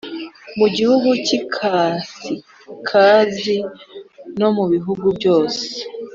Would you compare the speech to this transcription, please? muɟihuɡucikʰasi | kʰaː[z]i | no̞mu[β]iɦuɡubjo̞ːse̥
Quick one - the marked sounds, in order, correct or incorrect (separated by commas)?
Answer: correct, correct